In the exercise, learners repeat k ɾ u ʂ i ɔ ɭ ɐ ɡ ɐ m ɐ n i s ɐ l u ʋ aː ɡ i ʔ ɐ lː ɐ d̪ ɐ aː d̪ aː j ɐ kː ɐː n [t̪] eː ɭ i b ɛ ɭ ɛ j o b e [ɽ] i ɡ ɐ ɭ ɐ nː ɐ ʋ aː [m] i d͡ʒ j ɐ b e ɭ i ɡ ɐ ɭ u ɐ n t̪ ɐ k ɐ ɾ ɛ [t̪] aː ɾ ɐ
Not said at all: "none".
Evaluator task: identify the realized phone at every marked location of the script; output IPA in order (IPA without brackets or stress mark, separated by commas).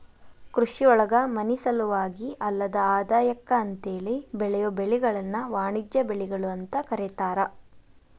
t̪, ɭ, ɳ, t̪